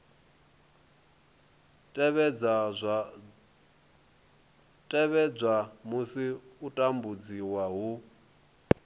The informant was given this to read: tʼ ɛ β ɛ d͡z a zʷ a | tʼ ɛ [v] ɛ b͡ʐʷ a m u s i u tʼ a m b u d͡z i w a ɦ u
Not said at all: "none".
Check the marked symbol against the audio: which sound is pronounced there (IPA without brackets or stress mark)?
β